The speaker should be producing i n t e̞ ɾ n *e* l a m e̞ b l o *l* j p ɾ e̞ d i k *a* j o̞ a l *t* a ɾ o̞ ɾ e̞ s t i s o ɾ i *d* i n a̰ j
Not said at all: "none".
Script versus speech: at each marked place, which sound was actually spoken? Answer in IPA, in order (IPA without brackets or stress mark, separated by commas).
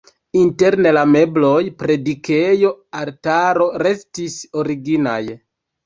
e, none, e, t, ɡ